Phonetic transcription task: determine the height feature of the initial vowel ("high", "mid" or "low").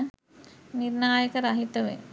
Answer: high